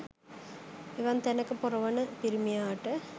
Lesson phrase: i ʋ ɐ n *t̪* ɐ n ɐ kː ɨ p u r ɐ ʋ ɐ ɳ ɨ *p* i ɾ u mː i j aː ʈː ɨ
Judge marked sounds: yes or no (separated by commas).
yes, yes